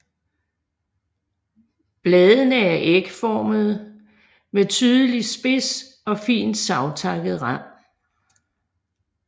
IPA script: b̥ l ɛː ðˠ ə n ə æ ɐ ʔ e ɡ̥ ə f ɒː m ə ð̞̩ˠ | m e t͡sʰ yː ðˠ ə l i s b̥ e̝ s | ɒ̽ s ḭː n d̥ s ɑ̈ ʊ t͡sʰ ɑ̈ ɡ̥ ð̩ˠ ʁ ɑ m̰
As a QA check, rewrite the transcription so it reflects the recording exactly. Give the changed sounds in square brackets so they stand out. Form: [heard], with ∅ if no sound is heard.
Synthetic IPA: b̥ l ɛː ðˠ ə n ə æ ɐ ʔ e ɡ̥ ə f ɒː m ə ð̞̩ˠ | m e t͡sʰ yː ðˠ ə l i s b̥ e̝ s | ɒ̽ [f] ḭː n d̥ s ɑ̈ ʊ t͡sʰ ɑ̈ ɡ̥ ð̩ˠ ʁ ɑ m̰

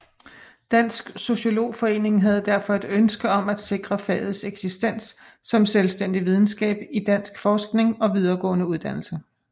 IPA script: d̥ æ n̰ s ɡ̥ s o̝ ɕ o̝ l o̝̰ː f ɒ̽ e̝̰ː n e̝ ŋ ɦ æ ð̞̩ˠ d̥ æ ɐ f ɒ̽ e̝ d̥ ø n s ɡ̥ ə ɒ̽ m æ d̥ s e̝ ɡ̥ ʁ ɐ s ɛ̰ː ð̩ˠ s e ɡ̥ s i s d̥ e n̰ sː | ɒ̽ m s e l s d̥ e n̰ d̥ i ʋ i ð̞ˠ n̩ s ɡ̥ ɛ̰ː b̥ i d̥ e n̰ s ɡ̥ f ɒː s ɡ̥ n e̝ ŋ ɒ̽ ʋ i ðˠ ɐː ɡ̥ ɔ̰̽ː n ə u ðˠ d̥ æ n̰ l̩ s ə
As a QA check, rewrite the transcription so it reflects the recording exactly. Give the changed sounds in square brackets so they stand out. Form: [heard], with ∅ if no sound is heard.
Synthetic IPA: d̥ æ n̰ s ɡ̥ s o̝ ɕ o̝ l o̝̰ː f ɒ̽ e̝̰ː n e̝ ŋ ɦ æ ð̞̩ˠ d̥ æ ɐ f ɒ̽ e̝ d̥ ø n s ɡ̥ ə ɒ̽ m æ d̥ s e̝ ɡ̥ ʁ ɐ [f] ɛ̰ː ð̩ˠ s e ɡ̥ s i s d̥ e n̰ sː | ɒ̽ m s e l s d̥ e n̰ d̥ i ʋ i ð̞ˠ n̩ s ɡ̥ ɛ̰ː b̥ i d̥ [æ] n̰ s ɡ̥ f ɒː s ɡ̥ n e̝ ŋ ɒ̽ ʋ i ðˠ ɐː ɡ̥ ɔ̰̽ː n ə u ðˠ d̥ æ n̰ l̩ s ə

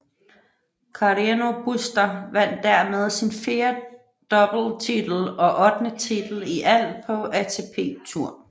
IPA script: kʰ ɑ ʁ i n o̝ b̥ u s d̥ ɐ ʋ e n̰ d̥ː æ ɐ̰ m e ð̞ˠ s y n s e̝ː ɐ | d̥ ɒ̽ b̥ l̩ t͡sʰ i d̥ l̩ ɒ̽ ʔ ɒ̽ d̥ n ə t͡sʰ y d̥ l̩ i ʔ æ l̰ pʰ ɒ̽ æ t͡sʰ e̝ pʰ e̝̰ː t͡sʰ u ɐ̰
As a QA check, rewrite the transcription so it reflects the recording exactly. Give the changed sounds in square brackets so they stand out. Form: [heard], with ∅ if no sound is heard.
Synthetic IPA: kʰ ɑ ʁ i n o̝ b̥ u s d̥ ɐ ʋ [æ] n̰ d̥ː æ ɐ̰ m e ð̞ˠ s [i] n [f] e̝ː ɐ | d̥ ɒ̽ b̥ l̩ t͡sʰ i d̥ l̩ ɒ̽ ʔ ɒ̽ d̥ n ə t͡sʰ [i] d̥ l̩ i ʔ æ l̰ pʰ ɒ̽ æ t͡sʰ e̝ pʰ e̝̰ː t͡sʰ u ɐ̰

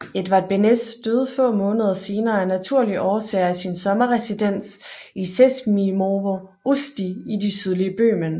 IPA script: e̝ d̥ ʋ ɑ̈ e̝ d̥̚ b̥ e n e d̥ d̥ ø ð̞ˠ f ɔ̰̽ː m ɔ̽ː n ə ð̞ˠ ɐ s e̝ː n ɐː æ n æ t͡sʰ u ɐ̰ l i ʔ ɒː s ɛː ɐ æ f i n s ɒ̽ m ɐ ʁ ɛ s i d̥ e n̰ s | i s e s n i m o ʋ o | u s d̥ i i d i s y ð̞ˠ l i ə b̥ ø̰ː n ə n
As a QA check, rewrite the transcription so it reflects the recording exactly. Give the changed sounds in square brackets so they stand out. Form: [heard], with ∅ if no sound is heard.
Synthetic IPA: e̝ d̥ ʋ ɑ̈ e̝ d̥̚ b̥ e n e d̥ d̥ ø ð̞ˠ f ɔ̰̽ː m ɔ̽ː n ə ð̞ˠ ɐ s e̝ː n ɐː æ n æ t͡sʰ u ɐ̰ l i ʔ ɒː s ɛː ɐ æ [s] i n s ɒ̽ m ɐ ʁ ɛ s i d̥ e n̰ s | i s e s [m] i m o ʋ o | u s d̥ i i d i s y ð̞ˠ l i ə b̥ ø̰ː [m] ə n

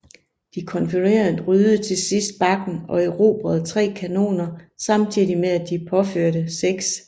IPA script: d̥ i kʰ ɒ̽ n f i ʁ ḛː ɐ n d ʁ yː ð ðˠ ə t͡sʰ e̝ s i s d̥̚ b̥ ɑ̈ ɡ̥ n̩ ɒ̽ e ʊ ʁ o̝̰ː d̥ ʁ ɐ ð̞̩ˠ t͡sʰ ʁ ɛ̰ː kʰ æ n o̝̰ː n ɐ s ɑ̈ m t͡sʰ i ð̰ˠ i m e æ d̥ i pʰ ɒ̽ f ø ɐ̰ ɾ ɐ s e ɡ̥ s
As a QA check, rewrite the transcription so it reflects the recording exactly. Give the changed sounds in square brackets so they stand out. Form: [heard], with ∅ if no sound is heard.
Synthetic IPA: d̥ i kʰ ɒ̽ n f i ʁ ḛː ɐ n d ʁ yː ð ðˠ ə t͡sʰ e̝ s i s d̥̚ b̥ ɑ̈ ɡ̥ n̩ ɒ̽ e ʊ ʁ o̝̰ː [b̥] ʁ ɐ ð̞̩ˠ t͡sʰ ʁ ɛ̰ː kʰ æ n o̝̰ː n ɐ s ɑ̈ m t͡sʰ i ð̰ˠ i m e æ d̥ i pʰ ɒ̽ f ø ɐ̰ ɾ [ə] s e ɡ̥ s

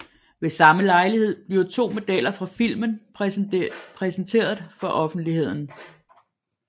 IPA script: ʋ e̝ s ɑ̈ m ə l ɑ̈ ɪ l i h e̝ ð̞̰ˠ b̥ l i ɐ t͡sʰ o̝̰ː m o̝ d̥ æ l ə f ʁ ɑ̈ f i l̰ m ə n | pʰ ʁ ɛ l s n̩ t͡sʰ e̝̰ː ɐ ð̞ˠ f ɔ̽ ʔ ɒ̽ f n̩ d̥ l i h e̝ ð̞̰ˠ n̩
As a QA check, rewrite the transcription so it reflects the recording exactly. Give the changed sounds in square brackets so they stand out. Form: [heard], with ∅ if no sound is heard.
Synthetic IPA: ʋ e̝ s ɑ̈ m ə l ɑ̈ ɪ l i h e̝ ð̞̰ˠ b̥ l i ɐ t͡sʰ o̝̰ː m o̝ d̥ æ l [ɐ] f ʁ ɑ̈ f i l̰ m ə n | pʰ ʁ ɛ [∅] s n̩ t͡sʰ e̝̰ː ɐ ð̞ˠ f [ɒ̽] ʔ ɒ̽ f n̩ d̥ l i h e̝ ð̞̰ˠ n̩

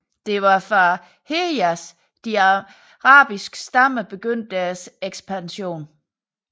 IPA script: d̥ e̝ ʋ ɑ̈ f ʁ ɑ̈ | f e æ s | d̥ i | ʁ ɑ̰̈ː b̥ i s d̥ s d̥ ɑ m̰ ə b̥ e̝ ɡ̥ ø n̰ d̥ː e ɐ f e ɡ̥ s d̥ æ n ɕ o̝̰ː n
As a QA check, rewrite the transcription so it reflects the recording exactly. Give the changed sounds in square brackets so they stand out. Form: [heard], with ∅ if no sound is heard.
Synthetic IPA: d̥ e̝ ʋ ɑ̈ f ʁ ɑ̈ | [h] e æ s | d̥ i | ʁ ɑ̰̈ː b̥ i s [ɡ̥] s d̥ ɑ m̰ ə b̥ e̝ ɡ̥ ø n̰ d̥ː [æ] ɐ [s] e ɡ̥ s [b̥] æ n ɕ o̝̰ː n

